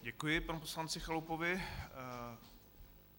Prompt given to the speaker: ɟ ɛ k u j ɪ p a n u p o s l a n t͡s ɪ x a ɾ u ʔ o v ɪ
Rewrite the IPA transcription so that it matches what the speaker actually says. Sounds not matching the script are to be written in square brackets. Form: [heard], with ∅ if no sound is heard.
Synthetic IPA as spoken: ɟ ɛ k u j ɪ p a n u p o s l a n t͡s ɪ x a [l] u [p] o v ɪ